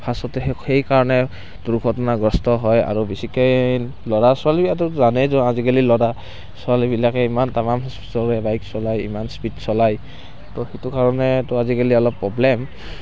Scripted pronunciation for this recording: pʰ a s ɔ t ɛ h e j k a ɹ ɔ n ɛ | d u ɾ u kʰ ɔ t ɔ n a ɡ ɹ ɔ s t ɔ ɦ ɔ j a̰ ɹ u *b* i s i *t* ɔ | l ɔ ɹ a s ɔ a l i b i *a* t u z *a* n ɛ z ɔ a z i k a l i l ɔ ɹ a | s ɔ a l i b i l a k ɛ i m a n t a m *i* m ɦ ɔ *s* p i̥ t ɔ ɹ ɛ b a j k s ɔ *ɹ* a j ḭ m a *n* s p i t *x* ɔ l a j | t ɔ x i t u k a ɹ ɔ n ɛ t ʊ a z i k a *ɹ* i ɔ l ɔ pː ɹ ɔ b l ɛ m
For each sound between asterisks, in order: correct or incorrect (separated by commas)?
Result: correct, incorrect, correct, correct, incorrect, correct, incorrect, correct, incorrect, incorrect